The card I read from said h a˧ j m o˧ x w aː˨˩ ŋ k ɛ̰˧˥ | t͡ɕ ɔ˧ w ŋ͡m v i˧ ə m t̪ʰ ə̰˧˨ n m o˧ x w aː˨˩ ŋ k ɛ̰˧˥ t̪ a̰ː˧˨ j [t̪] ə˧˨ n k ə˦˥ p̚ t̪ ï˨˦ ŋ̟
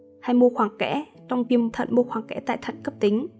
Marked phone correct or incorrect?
incorrect